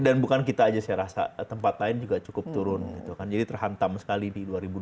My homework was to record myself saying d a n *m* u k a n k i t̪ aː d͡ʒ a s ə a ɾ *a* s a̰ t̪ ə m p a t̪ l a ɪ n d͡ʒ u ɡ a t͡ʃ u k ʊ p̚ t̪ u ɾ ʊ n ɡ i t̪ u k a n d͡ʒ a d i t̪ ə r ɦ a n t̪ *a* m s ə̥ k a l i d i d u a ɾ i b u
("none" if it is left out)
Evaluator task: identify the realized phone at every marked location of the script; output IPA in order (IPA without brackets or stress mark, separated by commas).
b, a, a